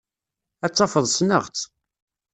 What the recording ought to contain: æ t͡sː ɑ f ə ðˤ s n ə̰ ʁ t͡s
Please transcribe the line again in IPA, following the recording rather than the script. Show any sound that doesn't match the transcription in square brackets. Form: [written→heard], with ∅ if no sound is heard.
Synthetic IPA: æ t͡sː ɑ f ə ðˤ s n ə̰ ʁ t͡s

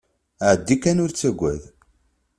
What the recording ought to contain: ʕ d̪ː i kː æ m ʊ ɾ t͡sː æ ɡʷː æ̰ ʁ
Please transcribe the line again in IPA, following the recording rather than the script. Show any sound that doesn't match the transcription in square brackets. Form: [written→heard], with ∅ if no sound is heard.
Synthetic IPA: ʕ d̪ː i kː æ [m→n] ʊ ɾ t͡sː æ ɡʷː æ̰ [ʁ→ð]

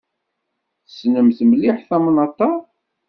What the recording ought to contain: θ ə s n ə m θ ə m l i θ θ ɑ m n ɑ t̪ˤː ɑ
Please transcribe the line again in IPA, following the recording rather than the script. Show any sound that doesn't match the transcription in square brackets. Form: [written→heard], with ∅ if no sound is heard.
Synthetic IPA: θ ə s n ə m θ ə m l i [θ→ħ] θ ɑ m n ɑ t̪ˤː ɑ

